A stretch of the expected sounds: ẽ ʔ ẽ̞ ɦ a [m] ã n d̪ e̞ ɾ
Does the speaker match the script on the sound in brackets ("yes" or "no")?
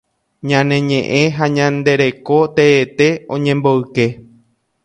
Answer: no